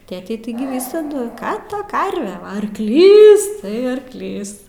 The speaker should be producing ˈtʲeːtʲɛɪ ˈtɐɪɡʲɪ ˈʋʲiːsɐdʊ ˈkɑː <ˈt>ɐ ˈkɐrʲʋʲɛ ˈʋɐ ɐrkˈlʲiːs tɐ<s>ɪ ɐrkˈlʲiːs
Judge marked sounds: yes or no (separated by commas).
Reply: yes, no